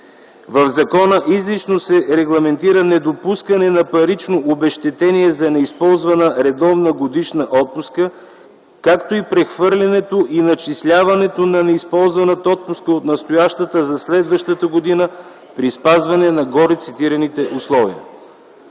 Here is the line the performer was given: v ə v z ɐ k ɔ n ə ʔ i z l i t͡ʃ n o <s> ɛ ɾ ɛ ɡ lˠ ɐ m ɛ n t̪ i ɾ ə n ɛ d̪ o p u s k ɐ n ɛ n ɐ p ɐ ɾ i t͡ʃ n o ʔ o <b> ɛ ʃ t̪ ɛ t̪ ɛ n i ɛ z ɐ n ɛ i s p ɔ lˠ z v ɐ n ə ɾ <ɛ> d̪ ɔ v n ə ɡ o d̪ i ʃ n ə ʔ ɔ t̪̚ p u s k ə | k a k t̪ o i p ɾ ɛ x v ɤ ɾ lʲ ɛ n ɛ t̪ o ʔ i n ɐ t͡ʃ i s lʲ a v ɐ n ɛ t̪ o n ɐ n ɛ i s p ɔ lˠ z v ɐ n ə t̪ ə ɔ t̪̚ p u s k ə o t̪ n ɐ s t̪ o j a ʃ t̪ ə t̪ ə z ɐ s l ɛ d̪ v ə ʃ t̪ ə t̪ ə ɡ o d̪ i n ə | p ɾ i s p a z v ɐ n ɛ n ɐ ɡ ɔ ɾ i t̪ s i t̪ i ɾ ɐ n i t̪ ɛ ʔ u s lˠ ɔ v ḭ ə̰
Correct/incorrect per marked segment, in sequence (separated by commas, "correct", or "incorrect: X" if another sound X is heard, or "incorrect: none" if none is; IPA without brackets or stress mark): correct, correct, correct